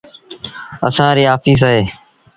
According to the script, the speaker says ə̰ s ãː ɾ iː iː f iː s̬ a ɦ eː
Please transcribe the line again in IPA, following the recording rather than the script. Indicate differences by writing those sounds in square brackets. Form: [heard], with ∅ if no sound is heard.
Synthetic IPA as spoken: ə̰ s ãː ɾ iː [aː] f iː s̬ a ɦ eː